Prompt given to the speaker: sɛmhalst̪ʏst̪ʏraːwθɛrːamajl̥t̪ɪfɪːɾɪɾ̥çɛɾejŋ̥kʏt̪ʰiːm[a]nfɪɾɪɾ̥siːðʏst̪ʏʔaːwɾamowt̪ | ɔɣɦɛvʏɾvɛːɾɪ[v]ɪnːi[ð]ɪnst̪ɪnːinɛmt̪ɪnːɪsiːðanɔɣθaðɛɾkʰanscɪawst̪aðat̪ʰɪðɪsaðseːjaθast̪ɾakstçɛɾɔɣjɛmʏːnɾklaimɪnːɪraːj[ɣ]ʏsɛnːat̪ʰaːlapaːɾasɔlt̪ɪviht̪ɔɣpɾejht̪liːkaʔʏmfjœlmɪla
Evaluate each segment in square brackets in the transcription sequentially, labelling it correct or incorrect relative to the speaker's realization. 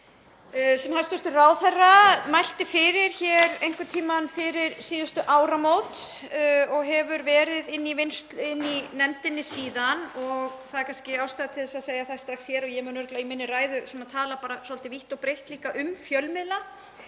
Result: correct, incorrect, incorrect, incorrect

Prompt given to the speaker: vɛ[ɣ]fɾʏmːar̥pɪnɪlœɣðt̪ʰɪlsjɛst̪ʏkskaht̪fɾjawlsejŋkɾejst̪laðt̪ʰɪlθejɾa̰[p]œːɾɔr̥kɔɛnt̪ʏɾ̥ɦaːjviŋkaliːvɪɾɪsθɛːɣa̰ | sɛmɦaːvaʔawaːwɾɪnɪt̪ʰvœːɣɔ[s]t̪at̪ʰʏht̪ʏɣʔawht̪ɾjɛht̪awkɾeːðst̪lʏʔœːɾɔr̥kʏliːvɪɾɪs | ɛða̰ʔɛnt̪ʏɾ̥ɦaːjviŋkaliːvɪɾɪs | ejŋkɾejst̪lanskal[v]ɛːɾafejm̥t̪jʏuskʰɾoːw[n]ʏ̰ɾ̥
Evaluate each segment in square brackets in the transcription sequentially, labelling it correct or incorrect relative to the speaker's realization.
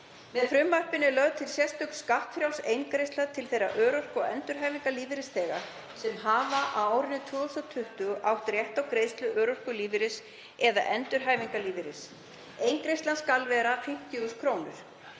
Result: incorrect, incorrect, correct, correct, correct

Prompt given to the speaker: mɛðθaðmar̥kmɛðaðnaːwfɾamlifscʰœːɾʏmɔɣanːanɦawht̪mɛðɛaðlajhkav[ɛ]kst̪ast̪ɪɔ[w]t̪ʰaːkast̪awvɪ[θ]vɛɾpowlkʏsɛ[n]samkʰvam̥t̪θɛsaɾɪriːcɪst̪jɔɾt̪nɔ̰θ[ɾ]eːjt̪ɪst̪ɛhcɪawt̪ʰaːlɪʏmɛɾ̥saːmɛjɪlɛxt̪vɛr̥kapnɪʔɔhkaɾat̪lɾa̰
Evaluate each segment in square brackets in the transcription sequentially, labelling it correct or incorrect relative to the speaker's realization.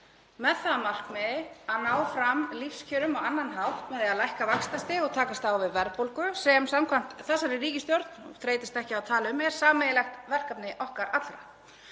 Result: incorrect, incorrect, incorrect, incorrect, correct

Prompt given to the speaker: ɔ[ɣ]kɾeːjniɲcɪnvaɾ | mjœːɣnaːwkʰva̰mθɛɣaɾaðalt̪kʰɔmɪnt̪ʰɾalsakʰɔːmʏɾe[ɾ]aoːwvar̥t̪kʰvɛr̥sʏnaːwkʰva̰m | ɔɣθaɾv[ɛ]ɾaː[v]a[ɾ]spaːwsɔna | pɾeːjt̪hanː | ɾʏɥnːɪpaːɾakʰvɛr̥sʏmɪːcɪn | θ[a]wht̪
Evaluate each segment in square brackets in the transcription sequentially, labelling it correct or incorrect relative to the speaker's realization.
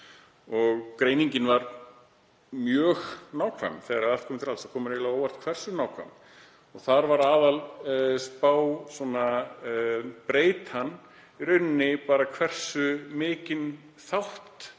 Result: correct, incorrect, incorrect, incorrect, incorrect, correct

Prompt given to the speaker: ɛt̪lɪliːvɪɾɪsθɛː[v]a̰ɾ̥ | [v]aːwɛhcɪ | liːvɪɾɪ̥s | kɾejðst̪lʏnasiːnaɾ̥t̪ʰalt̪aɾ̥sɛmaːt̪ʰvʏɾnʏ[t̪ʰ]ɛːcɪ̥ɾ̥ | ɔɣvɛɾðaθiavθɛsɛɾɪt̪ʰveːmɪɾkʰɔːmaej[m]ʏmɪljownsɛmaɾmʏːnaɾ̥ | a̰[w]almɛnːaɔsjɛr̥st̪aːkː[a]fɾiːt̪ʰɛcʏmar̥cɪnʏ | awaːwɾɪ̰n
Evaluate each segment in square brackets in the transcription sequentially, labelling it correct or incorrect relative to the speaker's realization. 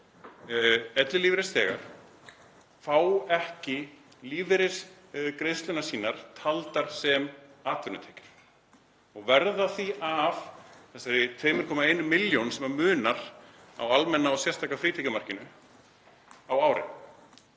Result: incorrect, incorrect, correct, incorrect, correct, correct

